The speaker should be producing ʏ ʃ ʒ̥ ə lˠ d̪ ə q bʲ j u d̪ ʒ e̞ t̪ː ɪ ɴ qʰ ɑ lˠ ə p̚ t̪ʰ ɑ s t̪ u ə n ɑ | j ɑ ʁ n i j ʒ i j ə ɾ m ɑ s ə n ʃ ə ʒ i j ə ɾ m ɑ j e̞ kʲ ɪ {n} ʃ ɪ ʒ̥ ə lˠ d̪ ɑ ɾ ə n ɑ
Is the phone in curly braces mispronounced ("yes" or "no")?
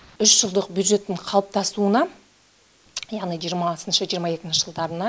no